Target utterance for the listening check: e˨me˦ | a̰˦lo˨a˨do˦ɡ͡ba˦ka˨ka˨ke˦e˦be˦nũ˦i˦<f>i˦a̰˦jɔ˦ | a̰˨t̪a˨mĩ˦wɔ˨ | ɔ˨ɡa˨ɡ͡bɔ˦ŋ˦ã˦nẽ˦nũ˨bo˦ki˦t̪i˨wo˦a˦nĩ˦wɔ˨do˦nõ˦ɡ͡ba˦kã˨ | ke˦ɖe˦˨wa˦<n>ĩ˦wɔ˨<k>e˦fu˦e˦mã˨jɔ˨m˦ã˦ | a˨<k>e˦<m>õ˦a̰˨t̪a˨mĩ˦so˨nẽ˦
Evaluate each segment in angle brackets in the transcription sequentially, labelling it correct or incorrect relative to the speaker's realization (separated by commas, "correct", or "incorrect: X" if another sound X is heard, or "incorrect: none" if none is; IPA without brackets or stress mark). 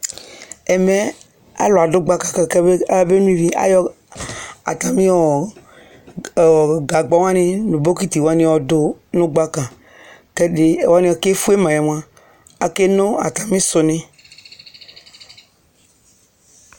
incorrect: v, correct, correct, correct, incorrect: n